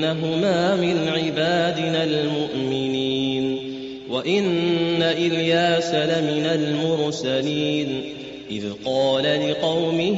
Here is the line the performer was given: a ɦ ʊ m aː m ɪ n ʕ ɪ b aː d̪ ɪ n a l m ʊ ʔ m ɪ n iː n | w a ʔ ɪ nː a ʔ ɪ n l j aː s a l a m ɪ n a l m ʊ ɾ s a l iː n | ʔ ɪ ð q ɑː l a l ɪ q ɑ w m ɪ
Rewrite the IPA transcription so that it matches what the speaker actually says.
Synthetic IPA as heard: a ɦ ʊ m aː m ɪ n ʕ ɪ b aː d̪ ɪ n a l m ʊ ʔ m ɪ n iː n | w a ʔ ɪ nː a ʔ ɪ l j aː s a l a m ɪ n a l m ʊ ɾ s a l iː n | ʔ ɪ ð q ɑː l a l ɪ q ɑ w m ɪ